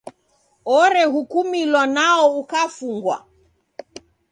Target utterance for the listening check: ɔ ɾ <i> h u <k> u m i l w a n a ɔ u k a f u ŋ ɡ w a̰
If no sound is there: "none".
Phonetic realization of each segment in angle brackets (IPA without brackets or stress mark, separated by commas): ɛ, k